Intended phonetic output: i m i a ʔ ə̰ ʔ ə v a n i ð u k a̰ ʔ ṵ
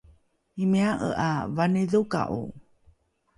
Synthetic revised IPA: i m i a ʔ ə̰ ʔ a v a n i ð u k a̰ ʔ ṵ